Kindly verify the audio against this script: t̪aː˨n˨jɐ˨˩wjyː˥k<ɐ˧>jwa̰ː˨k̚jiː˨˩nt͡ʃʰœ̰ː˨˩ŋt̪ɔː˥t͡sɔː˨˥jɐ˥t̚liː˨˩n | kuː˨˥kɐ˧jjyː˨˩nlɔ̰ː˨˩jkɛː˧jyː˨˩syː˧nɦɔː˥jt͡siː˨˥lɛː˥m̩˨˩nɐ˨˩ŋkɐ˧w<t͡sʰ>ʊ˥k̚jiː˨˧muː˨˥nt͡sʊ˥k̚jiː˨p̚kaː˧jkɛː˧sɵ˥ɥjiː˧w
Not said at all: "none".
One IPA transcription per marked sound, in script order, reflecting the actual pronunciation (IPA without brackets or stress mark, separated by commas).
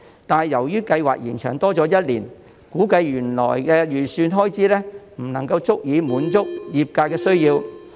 ɐ˧, t͡s